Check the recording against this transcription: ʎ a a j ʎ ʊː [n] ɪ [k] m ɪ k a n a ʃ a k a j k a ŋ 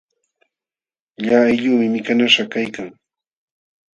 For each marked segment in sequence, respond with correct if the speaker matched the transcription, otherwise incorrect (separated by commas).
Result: incorrect, incorrect